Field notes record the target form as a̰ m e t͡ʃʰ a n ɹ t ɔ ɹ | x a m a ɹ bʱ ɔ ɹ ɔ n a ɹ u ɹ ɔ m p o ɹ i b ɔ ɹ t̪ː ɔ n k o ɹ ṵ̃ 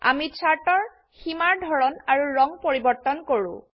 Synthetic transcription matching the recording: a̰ m i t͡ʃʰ a ɹ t ɔ ɹ | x i m a ɹ dʱ ɔ ɹ ɔ n a ɹ u ɹ ɔ ŋ p o ɹ i b ɔ ɹ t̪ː ɔ n k o ɹ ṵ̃

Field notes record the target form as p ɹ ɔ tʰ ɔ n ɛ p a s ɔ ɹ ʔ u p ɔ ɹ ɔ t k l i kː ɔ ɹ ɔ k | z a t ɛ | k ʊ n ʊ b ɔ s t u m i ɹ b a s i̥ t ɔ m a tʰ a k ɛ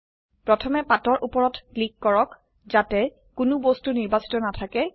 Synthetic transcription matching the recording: p ɹ ɔ tʰ ɔ m ɛ p a t ɔ ɹ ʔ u p ɔ ɹ ɔ t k l i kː ɔ ɹ ɔ k | z a t ɛ | k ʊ n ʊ b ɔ s t u n i ɹ b a s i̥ t ɔ n a tʰ a k ɛ

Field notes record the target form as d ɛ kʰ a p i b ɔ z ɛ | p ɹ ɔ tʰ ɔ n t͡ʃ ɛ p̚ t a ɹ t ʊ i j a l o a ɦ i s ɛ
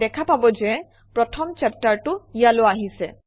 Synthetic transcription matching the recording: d ɛ kʰ a p a b ɔ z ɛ | p ɹ ɔ tʰ ɔ m t͡ʃ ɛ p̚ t a ɹ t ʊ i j a l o a ɦ i s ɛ

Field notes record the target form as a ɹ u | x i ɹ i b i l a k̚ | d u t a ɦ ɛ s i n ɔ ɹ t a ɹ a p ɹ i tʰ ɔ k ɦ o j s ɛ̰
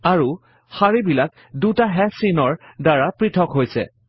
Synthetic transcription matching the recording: a ɹ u | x a ɹ i b i l a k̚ | d u t a ɦ ɛ s i n ɔ ɹ d a ɹ a p ɹ i tʰ ɔ k ɦ o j s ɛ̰

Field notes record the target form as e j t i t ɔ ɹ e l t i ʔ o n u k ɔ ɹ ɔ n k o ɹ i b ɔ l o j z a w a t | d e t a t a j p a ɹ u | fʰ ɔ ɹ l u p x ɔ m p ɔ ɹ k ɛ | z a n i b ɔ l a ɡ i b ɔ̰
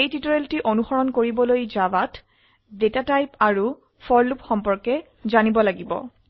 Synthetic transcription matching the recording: e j t i t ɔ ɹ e l t i ʔ o n u x ɔ ɹ ɔ n k o ɹ i b ɔ l o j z a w a t | d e t a t a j p a ɹ u | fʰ ɔ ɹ l u p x ɔ m p ɔ ɹ k ɛ | z a n i b ɔ l a ɡ i b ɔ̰

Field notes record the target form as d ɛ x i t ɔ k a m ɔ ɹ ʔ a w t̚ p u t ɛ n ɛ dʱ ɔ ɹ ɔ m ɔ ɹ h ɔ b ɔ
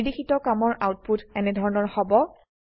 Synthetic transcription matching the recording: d i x i t ɔ k a m ɔ ɹ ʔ a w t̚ p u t ɛ n ɛ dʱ ɔ ɹ ɔ n ɔ ɹ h ɔ b ɔ

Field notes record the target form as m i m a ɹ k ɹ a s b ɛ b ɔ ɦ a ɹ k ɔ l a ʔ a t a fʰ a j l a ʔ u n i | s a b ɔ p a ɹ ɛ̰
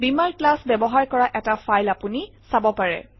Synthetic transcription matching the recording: b i m a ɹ k l a s b ɛ b ɔ ɦ a ɹ k ɔ ɹ a ʔ ɛ t a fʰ a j l a p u n i | s a b ɔ p a ɹ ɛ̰

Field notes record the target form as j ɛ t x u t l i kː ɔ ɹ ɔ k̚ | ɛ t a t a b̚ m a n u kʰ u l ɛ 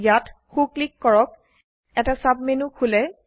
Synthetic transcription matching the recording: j a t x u k l i kː ɔ ɹ ɔ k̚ | ɛ t a s a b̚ m e n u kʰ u l ɛ

